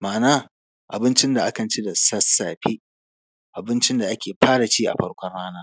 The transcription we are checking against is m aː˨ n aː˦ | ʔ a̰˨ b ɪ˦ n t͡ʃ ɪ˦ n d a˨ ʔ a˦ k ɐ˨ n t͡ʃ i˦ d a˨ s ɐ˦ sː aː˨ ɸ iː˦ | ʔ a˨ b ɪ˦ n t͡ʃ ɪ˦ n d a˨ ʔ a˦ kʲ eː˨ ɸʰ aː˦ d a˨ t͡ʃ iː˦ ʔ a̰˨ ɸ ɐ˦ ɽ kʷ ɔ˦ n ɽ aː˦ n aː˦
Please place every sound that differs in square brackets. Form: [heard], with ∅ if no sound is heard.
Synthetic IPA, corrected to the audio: m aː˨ n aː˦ | ʔ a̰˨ b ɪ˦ n t͡ʃ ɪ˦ n d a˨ ʔ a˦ k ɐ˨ n t͡ʃ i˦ d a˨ s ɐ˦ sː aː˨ ɸ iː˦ | ʔ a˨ b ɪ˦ n t͡ʃ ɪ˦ n d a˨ ʔ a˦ kʲ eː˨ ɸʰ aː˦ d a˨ t͡ʃ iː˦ ʔ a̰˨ ɸ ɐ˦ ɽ kʷ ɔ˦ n ɽ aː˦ n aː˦